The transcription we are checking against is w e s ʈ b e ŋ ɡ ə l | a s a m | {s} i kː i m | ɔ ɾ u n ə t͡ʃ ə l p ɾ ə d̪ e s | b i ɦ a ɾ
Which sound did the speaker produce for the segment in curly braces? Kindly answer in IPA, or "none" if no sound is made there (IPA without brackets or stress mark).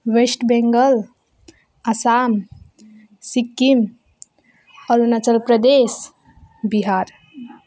s